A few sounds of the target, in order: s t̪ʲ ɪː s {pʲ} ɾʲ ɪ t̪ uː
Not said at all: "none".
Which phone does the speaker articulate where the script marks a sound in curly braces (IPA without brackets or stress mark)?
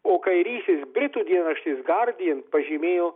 bʲ